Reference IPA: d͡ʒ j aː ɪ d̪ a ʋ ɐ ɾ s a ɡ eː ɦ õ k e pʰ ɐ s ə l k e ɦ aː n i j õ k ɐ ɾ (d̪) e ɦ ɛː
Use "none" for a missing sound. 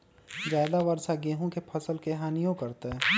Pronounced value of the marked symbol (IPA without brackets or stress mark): t̪